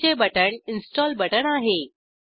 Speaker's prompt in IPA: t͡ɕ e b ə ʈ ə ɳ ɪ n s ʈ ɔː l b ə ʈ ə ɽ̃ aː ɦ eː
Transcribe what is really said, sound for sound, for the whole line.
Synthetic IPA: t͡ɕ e b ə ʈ ə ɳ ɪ n s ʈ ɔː l b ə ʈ ə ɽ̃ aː ɦ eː